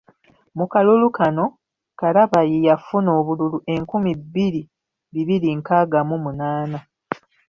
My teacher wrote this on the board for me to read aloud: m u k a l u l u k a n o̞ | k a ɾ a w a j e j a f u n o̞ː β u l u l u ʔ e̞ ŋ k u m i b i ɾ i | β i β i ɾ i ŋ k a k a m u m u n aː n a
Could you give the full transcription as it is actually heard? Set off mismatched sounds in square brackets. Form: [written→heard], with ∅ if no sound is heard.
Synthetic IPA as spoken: m u k a l u l u k a n o̞ | k a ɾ a [w→β] a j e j a f u n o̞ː β u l u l u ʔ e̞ ŋ k u m i b i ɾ i | β i β i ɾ i ŋ k a [k→ɡ] a m u m u n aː n a